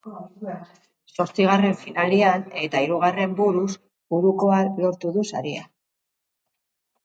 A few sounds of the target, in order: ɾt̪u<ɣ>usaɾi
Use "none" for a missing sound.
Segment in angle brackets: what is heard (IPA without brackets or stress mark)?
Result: ð